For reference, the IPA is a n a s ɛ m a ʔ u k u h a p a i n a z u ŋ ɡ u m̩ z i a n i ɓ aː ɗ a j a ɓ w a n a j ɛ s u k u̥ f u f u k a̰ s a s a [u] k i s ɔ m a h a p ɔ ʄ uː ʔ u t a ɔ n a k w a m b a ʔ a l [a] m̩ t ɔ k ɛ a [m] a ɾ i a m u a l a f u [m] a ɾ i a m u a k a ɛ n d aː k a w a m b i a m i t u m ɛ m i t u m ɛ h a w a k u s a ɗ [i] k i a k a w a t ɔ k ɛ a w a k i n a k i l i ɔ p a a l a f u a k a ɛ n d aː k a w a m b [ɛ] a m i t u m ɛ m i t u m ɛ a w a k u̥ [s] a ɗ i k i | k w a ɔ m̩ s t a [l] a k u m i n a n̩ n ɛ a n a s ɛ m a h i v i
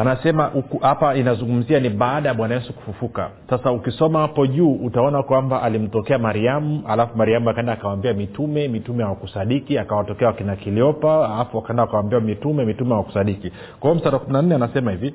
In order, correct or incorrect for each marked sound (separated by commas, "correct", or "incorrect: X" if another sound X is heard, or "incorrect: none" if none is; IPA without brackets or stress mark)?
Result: correct, incorrect: i, correct, correct, correct, incorrect: i, correct, incorrect: ɾ